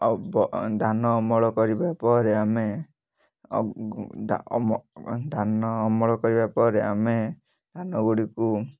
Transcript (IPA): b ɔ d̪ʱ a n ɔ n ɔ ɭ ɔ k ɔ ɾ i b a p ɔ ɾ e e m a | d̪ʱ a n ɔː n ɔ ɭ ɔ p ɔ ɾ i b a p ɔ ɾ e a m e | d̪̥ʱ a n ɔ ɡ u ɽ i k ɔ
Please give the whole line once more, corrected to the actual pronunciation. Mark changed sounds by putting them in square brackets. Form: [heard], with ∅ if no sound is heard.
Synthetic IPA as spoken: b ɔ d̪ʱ a n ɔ [m] ɔ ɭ ɔ k ɔ ɾ i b a p ɔ ɾ e [a] m [e] | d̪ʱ a n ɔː [m] ɔ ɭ ɔ [k] ɔ ɾ i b a p ɔ ɾ e a m e | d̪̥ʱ a n ɔ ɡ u ɽ i k [u]